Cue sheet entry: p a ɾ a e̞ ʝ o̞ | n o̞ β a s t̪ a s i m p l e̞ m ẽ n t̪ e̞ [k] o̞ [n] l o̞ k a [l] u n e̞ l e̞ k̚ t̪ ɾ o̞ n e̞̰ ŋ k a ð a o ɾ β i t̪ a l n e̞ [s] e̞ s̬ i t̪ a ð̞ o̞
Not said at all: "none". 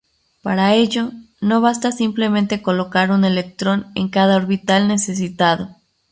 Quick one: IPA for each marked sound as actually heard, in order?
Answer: k, none, ɾ, s

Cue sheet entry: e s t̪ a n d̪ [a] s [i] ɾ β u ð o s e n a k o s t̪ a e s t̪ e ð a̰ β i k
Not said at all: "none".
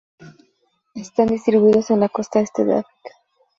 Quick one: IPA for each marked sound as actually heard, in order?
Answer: i, i

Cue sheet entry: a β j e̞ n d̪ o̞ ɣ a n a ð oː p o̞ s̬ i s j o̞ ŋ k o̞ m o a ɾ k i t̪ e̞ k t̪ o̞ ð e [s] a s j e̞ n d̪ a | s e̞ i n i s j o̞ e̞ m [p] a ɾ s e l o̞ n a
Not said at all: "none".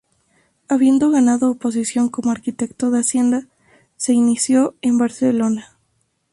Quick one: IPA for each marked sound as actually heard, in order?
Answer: none, b

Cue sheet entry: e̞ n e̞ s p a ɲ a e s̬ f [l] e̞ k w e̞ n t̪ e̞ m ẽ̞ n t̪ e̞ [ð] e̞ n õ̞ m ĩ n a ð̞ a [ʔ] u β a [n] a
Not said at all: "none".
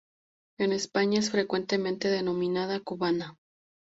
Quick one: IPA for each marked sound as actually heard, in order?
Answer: ɾ, ð, k, n

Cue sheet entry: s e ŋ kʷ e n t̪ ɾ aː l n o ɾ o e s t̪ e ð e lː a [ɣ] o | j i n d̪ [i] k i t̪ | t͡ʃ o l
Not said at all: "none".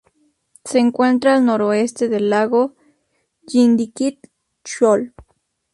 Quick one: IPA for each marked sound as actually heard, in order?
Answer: ɣ, i

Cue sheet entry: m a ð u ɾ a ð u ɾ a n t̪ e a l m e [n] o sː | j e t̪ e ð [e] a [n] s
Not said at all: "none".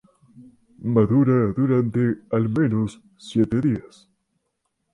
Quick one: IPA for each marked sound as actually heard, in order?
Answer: n, i, none

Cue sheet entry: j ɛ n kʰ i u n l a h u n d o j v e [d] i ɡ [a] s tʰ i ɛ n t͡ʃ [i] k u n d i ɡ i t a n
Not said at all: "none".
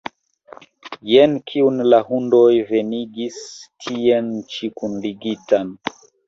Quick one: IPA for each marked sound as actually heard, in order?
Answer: n, i, i

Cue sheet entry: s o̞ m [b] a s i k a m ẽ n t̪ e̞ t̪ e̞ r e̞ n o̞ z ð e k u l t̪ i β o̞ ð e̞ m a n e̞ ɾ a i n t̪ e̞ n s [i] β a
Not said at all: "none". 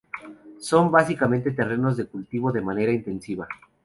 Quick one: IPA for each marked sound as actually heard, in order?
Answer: b, i

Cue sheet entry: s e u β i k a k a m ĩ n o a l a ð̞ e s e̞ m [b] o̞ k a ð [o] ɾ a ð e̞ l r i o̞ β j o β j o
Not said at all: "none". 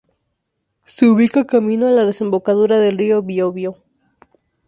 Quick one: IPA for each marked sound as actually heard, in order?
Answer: b, u

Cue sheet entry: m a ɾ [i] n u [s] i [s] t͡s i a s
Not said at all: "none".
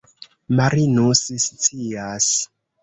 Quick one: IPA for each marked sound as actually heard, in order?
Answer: i, s, s

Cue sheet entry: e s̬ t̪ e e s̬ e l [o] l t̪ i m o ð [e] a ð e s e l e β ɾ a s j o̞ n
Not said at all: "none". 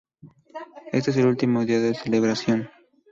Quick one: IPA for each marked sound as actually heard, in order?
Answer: u, i

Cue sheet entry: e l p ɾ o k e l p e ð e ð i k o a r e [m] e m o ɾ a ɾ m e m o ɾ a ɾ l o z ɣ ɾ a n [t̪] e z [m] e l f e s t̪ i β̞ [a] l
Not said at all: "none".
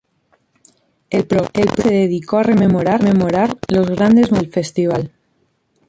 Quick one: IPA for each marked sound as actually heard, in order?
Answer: m, d̪, m, a

